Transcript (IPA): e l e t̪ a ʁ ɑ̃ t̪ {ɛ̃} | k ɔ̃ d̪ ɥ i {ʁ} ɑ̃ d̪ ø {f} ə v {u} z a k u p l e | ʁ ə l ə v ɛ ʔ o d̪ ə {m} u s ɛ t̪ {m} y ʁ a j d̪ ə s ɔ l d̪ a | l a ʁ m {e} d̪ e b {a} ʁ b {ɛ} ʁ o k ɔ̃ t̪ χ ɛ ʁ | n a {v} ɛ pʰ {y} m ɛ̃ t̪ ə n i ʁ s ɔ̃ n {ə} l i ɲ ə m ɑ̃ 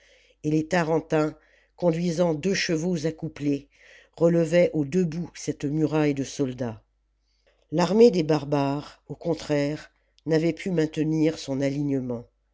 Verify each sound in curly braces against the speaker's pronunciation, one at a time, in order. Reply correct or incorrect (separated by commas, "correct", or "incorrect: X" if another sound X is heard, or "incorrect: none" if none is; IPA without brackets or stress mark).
correct, incorrect: z, incorrect: ʃ, incorrect: o, incorrect: b, correct, correct, correct, incorrect: a, correct, correct, incorrect: a